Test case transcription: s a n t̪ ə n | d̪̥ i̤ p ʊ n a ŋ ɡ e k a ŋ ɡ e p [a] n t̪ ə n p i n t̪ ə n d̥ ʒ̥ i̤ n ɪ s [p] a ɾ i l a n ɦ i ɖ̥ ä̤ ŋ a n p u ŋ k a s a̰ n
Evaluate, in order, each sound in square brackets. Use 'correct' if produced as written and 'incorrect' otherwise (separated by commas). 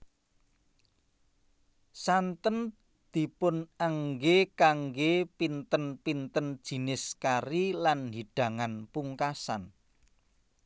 incorrect, incorrect